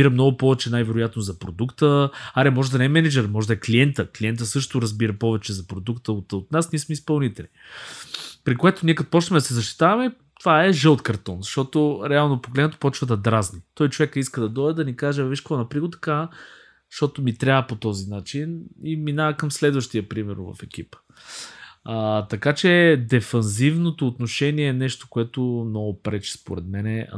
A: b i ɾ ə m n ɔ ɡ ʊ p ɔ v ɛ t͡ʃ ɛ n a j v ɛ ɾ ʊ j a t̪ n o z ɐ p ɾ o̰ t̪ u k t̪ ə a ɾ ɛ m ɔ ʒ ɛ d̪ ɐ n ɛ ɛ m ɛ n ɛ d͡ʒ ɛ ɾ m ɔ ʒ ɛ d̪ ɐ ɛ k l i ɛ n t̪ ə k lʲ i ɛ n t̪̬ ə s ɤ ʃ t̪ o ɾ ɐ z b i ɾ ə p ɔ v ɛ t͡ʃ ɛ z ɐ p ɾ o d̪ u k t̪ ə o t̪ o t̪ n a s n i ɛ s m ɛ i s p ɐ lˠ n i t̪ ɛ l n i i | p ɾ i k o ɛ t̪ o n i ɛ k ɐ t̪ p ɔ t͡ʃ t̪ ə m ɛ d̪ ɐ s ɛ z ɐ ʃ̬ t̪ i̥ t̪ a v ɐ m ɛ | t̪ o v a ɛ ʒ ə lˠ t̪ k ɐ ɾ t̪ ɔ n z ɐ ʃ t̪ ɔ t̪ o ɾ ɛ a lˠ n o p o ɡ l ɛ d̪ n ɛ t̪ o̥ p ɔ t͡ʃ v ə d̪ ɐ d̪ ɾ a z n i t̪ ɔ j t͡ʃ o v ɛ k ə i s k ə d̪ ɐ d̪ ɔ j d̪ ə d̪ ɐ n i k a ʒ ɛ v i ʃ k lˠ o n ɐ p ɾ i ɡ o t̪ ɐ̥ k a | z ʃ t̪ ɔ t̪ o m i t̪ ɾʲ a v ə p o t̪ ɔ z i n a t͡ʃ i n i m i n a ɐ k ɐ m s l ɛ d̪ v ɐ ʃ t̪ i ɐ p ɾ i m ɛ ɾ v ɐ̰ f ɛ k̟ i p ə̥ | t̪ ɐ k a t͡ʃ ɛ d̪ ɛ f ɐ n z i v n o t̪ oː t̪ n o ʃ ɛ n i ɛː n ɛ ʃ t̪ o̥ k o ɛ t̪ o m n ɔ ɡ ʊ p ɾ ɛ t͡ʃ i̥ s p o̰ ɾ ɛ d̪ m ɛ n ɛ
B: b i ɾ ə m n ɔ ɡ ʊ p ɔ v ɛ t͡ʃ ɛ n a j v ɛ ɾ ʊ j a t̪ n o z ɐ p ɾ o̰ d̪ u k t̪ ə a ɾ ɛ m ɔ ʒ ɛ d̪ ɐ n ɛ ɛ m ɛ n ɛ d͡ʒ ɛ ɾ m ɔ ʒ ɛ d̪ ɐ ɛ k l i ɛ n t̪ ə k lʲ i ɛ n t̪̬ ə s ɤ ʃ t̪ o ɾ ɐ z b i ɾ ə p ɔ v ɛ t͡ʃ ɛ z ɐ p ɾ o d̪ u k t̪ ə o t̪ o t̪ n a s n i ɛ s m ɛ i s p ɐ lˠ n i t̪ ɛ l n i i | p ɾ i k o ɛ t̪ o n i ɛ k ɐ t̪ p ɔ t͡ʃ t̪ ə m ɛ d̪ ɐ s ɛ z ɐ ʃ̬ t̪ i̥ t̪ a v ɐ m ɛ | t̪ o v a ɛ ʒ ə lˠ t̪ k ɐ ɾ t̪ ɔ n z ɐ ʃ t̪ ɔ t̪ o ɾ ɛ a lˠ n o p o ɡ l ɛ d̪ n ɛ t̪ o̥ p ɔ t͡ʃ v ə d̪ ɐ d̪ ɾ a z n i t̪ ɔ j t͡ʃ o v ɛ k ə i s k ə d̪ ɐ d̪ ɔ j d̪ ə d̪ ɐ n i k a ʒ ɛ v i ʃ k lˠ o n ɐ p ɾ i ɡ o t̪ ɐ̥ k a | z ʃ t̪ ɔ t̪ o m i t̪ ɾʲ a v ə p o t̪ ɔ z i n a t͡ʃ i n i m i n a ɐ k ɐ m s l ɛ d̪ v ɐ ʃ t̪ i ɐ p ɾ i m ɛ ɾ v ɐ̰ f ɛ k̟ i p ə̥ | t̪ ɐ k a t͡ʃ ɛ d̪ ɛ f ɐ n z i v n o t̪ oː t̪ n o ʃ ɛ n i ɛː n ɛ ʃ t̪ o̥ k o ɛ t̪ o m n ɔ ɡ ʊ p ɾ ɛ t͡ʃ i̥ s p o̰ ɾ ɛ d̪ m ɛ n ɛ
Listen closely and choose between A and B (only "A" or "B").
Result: B